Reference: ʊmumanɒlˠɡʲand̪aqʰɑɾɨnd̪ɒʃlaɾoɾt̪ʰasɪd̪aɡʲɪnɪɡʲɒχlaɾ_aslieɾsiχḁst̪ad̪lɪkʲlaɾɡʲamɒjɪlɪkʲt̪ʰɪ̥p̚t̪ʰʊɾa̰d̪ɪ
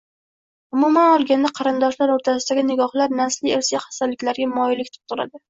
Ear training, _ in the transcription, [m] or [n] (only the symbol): n